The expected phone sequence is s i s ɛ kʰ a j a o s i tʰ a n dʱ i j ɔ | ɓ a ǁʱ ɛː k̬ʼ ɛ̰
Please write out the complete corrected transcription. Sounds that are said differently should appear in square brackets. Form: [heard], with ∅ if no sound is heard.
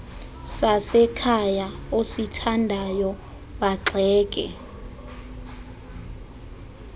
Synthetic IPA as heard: s [a] s ɛ kʰ a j a o s i tʰ a n dʱ [a] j ɔ | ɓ a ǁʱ ɛː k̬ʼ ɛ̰